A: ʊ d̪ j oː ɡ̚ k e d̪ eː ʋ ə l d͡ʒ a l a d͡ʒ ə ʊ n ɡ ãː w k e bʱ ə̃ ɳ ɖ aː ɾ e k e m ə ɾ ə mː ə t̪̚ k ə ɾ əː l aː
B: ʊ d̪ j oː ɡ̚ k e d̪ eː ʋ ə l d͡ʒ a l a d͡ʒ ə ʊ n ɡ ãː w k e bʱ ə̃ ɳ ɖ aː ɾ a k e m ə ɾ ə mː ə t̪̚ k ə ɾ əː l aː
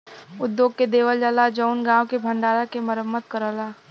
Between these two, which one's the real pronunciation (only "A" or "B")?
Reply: B